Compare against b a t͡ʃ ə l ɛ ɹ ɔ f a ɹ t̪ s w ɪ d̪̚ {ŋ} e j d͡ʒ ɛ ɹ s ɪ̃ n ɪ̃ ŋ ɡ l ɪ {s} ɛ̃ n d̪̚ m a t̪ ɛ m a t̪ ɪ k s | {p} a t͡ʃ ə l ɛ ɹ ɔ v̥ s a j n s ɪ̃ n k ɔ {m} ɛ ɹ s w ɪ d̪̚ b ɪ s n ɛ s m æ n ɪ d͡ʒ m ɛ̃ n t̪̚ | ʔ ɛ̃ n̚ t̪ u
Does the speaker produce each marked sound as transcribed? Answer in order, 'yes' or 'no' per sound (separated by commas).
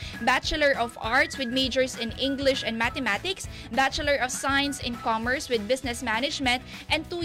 no, no, no, yes